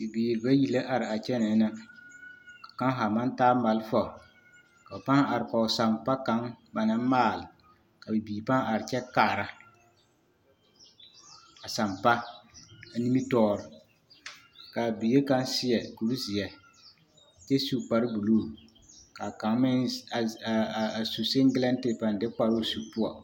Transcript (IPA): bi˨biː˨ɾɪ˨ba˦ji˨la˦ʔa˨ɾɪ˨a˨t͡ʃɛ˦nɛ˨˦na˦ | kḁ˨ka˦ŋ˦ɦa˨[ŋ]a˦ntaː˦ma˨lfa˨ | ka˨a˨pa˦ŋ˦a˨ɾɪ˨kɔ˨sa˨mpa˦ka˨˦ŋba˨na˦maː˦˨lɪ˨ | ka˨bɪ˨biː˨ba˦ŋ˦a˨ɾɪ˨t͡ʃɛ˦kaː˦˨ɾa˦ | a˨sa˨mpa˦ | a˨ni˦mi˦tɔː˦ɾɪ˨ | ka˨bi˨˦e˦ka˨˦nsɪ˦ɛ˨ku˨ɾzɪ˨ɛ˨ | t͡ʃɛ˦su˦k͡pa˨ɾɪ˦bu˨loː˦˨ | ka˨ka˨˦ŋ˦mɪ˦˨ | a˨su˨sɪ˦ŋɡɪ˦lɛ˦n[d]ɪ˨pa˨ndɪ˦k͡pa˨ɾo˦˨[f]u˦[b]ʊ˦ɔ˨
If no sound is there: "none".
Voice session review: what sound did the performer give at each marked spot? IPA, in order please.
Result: m, t, s, p

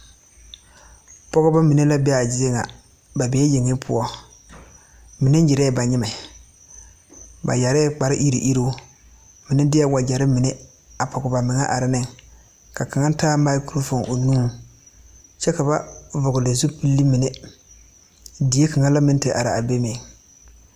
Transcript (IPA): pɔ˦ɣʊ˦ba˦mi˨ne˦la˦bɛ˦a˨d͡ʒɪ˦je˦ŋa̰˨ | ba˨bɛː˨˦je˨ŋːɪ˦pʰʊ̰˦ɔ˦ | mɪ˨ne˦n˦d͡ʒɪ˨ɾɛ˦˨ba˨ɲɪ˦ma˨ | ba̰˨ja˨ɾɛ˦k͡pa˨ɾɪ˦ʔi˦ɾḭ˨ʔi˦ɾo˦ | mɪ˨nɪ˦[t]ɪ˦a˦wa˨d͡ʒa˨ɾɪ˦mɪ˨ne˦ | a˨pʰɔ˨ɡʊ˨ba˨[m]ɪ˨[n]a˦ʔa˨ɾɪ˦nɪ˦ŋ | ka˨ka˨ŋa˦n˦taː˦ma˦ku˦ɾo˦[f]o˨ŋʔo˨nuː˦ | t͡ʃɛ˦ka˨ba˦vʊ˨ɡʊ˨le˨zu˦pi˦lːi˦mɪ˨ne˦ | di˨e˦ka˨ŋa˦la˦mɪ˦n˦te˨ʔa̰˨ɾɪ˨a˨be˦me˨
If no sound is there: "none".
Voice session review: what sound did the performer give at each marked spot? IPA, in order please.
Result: d, m, ŋ, f

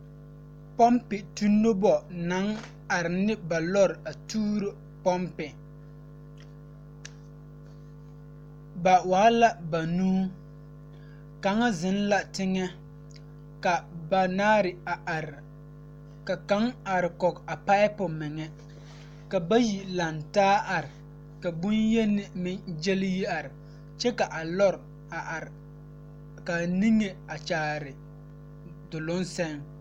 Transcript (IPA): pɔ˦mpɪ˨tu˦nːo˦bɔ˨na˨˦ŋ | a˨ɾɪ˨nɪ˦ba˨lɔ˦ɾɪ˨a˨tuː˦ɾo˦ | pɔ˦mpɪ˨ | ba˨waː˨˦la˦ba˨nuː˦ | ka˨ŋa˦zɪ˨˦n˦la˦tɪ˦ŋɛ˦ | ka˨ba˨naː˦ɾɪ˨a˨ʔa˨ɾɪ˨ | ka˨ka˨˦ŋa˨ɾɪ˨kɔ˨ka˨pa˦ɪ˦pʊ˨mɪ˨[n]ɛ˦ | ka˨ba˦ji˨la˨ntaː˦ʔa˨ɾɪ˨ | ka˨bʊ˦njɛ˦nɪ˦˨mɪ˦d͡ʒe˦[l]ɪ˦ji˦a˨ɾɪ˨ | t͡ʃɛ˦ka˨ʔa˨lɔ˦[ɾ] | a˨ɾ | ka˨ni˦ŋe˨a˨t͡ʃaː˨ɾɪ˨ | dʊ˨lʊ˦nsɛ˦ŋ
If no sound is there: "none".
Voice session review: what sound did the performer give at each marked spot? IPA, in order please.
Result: ŋ, l, ɾ

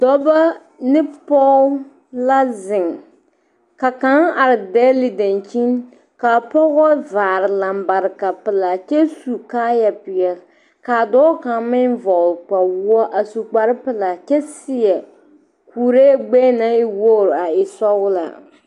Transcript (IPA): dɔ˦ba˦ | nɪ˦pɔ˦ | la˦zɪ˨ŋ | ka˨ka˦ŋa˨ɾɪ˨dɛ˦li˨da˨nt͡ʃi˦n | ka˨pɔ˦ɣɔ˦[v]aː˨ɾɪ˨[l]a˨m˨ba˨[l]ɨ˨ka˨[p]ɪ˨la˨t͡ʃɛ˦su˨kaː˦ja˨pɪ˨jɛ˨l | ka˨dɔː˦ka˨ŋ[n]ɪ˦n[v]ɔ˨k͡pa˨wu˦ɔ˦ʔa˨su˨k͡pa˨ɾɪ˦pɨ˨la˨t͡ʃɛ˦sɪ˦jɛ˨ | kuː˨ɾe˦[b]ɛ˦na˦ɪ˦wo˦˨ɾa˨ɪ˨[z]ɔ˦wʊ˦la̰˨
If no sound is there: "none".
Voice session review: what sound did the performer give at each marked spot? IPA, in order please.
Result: v, l, ɾ, p, m, v, ɡ͡b, s

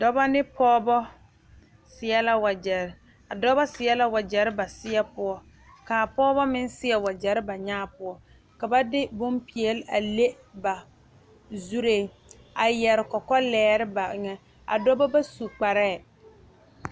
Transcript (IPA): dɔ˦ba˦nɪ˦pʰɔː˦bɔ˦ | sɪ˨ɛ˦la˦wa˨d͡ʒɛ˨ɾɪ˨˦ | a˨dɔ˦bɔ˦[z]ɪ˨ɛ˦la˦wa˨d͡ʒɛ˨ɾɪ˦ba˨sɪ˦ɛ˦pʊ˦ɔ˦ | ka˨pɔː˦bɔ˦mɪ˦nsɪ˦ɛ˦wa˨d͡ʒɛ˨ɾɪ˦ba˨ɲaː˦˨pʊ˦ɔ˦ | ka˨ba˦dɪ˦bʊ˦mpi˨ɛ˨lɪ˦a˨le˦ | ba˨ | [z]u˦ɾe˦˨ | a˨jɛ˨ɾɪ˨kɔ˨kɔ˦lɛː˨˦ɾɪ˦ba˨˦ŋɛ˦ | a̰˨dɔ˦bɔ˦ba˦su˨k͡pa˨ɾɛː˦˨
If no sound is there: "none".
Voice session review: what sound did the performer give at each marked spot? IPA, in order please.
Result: s, z

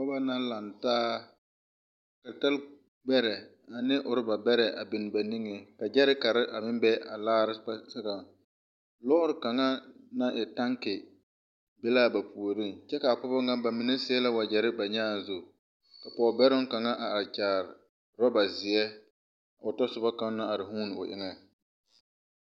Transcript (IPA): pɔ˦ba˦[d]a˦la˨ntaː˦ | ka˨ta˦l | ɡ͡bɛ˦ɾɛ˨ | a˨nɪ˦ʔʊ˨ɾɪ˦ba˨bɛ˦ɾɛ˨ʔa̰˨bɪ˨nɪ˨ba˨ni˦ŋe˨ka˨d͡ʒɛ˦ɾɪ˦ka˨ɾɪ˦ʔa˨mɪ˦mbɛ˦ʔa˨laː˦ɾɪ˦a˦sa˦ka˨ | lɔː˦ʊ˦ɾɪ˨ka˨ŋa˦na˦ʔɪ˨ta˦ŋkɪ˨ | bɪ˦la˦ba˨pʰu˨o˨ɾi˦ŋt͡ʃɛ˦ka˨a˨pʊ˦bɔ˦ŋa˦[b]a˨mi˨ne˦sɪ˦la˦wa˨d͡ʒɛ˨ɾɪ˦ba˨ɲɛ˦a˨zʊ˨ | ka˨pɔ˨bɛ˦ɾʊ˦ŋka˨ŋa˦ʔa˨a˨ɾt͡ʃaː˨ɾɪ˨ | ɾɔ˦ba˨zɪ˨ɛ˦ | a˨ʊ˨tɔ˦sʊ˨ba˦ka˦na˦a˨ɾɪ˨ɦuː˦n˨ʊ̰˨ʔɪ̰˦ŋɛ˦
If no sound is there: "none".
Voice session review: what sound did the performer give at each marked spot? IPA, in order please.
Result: n, b

